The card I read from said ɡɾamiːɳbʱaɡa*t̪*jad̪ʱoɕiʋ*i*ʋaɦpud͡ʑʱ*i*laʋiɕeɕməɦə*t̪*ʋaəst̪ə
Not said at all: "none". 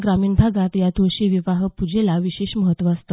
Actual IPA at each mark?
t̪, i, e, t̪

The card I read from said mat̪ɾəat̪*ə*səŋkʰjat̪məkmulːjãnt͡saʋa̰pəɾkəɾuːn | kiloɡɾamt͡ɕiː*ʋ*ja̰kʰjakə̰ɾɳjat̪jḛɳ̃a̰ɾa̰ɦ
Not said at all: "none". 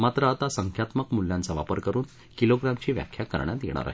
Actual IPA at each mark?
a, ʋ

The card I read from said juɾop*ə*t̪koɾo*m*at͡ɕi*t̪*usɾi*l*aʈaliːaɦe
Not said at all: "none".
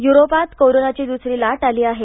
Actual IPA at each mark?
a, n, d̪, l

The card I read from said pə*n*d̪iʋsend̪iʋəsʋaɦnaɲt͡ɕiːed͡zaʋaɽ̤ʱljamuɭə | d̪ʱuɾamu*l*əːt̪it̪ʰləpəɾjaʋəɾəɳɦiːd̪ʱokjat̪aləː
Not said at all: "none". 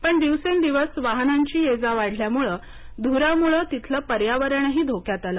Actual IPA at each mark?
ɳ, ɭ

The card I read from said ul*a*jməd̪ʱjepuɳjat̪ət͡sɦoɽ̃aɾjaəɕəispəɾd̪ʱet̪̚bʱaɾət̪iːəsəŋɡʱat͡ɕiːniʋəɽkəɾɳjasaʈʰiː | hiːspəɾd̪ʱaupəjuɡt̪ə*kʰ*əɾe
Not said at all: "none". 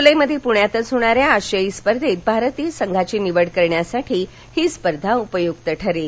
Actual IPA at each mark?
ə, ʈʰ

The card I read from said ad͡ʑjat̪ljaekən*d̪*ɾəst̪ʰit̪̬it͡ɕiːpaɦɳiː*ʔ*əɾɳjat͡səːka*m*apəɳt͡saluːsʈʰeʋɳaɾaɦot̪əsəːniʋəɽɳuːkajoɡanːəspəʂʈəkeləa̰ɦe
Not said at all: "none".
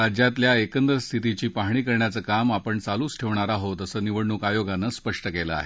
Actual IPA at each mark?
d̪, k, m

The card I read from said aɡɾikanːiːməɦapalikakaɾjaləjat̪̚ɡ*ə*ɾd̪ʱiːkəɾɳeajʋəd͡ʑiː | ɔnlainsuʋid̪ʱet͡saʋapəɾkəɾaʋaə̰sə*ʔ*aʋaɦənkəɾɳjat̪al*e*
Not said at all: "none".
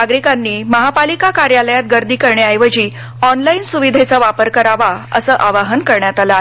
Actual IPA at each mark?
ə, ʔ, a

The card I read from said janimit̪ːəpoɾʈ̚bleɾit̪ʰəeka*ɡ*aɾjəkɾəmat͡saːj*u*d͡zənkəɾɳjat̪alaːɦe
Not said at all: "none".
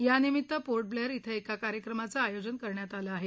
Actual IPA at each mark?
k, o

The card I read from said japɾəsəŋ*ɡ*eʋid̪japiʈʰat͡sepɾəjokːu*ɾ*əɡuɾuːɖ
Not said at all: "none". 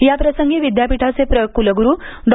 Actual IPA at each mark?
ɡ, l

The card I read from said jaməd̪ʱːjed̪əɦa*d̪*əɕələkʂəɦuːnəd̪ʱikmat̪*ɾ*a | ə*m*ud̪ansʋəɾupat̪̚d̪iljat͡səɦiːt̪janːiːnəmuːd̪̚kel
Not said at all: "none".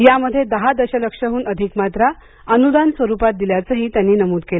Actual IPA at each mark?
d̪, ɾ, n

